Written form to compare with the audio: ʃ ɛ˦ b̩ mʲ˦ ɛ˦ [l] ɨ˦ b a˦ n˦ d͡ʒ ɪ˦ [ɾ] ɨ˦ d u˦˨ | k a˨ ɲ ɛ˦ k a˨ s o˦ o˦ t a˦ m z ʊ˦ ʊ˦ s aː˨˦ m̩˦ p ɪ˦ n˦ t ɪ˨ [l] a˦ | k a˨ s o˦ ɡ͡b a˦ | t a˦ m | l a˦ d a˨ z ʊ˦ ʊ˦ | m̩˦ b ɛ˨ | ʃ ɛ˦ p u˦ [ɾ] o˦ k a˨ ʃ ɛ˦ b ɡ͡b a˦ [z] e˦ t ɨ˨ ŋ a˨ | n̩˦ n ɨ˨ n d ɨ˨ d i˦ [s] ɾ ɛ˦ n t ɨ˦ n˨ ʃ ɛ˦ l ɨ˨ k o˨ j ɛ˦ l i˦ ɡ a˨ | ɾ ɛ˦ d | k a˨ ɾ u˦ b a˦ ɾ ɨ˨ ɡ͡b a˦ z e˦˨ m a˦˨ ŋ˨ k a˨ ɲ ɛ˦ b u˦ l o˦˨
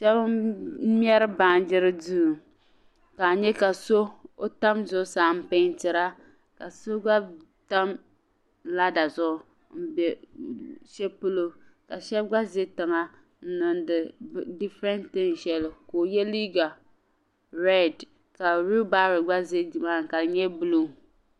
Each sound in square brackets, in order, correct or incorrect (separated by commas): incorrect, correct, incorrect, incorrect, correct, incorrect